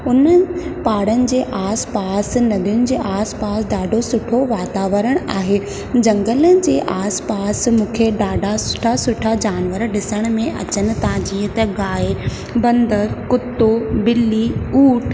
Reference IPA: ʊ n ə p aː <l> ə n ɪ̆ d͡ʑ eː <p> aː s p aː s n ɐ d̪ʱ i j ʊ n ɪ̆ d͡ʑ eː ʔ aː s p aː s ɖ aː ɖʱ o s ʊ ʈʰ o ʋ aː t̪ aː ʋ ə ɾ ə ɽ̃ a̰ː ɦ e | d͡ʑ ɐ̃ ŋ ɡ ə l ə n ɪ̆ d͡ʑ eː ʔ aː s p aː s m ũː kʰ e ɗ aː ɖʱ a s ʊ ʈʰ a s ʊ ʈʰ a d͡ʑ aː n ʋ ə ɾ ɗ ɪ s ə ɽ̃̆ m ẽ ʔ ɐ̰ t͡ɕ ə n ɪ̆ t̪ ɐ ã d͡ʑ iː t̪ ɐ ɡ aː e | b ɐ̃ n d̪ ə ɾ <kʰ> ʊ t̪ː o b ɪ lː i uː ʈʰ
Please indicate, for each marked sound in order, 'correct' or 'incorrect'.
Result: incorrect, incorrect, incorrect

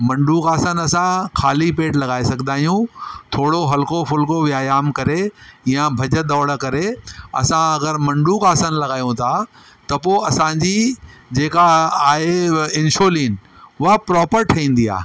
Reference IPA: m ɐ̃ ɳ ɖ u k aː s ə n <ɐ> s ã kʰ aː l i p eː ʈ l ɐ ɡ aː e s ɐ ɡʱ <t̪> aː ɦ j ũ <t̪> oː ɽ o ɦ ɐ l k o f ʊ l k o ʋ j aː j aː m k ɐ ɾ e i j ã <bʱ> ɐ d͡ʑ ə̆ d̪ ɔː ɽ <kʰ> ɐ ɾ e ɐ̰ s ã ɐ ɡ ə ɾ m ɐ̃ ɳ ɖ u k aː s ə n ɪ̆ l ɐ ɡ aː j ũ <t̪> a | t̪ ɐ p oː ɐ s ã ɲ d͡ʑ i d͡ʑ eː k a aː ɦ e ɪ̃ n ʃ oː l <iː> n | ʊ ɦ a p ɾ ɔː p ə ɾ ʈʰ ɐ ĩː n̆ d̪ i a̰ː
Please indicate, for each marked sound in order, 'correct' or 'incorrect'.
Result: correct, incorrect, incorrect, correct, incorrect, incorrect, correct

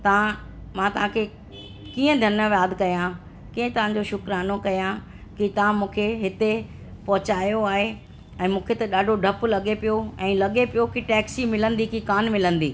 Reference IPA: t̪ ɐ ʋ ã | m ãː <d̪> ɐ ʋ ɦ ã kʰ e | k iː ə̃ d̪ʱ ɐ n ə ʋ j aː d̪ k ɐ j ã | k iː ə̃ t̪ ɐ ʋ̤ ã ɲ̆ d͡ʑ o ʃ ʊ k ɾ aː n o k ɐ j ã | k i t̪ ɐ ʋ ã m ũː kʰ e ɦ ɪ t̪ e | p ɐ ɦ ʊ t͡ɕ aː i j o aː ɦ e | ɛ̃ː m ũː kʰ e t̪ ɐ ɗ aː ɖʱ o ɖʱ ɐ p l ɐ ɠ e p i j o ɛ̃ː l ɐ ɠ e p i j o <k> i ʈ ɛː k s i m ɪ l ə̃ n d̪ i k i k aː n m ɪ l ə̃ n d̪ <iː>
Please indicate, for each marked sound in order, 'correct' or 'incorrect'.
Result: incorrect, correct, correct

